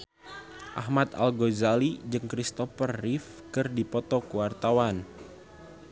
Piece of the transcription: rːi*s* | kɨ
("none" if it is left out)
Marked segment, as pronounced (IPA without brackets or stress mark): f